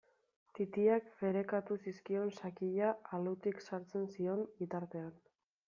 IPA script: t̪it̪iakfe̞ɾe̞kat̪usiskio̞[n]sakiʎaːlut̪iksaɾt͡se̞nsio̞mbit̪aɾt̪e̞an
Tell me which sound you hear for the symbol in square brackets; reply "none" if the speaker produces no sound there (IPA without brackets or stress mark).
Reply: n